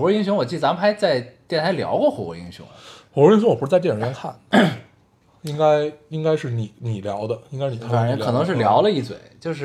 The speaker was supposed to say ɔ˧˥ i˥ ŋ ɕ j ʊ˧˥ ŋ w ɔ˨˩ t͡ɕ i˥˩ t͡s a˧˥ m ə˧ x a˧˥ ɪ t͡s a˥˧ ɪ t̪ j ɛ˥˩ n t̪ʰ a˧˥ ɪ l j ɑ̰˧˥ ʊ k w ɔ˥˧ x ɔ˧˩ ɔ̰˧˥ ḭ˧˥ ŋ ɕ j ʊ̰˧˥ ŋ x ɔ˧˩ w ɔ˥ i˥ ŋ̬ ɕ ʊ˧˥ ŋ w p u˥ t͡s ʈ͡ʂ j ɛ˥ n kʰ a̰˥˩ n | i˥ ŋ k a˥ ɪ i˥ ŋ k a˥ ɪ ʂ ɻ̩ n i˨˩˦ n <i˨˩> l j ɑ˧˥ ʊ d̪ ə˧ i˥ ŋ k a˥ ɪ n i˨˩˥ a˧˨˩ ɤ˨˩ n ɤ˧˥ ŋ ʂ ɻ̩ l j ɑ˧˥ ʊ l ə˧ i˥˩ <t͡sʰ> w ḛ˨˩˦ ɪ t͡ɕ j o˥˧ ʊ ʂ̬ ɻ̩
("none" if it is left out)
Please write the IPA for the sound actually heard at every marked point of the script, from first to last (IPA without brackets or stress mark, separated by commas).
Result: i˨˩, t͡s